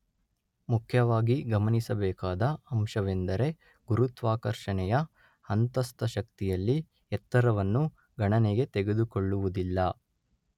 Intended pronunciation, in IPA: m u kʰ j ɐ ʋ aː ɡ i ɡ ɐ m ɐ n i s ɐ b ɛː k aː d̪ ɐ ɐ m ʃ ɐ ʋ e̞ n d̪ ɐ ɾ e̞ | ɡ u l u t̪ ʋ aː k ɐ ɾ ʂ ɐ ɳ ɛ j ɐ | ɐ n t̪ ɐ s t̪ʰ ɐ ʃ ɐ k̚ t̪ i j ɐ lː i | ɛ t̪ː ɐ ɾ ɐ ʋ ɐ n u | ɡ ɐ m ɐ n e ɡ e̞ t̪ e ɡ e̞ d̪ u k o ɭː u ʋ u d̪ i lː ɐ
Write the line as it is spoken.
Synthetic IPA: m u kʰ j ɐ ʋ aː ɡ i ɡ ɐ m ɐ n i s ɐ b ɛː k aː d̪ ɐ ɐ m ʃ ɐ ʋ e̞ n d̪ ɐ ɾ e̞ | ɡ u ɾ u t̪ ʋ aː k ɐ ɾ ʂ ɐ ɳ ɛ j ɐ | ɐ n t̪ ɐ s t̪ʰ ɐ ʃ ɐ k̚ t̪ i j ɐ lː i | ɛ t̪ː ɐ ɾ ɐ ʋ ɐ nː u | ɡ ɐ ɳ ɐ n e ɡ e̞ t̪ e ɡ e̞ d̪ u k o ɭː u ʋ u d̪ i lː ɐ